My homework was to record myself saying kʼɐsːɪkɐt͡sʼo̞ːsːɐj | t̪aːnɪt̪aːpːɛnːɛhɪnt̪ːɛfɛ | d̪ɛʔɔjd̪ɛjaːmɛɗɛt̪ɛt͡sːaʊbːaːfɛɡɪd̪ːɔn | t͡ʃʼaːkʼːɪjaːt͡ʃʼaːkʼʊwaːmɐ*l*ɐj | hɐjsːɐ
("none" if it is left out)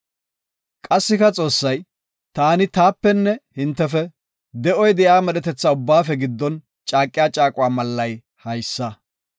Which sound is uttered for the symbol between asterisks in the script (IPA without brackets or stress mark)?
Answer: lː